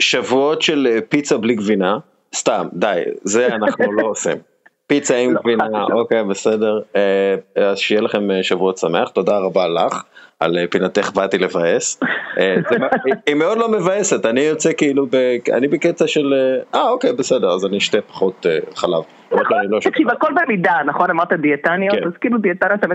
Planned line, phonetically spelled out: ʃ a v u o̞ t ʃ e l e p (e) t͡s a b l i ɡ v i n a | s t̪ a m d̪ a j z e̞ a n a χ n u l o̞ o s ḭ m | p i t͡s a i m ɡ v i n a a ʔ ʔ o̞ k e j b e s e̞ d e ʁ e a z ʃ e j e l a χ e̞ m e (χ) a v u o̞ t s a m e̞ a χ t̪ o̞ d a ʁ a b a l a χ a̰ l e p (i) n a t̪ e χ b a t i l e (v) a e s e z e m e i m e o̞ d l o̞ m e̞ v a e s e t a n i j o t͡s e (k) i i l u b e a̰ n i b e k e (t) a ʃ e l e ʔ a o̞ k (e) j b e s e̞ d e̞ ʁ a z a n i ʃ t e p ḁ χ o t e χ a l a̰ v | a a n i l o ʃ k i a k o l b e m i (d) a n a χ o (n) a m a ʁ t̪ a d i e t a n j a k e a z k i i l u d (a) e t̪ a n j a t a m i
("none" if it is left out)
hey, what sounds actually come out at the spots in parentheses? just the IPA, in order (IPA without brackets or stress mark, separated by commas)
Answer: i, ʃ, i, v, k, t͡s, e, d, n, i